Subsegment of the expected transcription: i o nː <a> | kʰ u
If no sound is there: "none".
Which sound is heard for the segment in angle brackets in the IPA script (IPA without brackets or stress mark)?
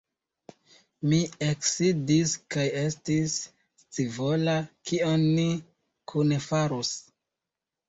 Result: i